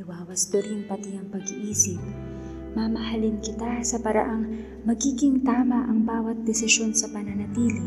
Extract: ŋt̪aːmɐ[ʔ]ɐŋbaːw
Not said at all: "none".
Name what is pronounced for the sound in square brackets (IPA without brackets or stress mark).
ʔ